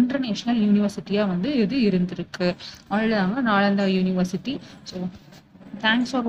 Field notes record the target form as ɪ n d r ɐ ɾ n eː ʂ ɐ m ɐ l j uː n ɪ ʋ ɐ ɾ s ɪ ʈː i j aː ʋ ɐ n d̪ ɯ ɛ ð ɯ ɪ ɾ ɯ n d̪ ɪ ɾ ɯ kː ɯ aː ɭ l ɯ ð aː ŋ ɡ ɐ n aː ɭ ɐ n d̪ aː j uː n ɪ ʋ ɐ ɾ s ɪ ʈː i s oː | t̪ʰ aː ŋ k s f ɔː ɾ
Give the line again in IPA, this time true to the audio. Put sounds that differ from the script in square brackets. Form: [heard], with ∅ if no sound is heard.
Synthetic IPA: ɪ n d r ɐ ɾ n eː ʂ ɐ [n] ɐ l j uː n ɪ ʋ ɐ ɾ s ɪ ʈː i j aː ʋ ɐ n d̪ ɯ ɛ ð ɯ ɪ ɾ ɯ n d̪ ɪ ɾ ɯ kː ɯ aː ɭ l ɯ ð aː ŋ ɡ ɐ n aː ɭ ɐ n d̪ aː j uː n ɪ ʋ ɐ ɾ s ɪ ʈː i s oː | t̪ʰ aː ŋ k s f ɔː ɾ